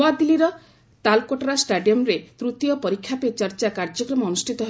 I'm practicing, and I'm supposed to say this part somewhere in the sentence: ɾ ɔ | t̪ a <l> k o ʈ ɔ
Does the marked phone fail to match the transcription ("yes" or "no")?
no